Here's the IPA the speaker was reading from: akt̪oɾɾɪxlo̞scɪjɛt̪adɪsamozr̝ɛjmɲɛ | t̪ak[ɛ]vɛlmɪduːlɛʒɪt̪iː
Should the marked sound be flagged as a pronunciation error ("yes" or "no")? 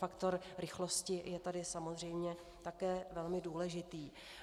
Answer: yes